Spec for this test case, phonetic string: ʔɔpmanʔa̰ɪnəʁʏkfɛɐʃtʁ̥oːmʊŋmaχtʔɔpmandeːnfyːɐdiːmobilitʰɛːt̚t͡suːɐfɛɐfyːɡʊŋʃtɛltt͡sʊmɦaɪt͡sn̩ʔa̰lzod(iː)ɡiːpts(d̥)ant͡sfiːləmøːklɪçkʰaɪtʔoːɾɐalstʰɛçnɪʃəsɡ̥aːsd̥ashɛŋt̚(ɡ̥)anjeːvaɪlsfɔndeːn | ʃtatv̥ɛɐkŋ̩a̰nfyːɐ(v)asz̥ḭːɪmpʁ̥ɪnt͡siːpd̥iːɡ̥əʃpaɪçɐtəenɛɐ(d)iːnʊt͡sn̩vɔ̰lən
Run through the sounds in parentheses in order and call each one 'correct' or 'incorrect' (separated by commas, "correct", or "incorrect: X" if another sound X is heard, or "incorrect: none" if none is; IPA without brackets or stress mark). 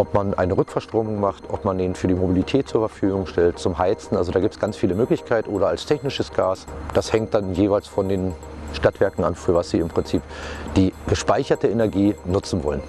incorrect: aː, incorrect: ɡ̥, incorrect: d̥, correct, incorrect: ɡ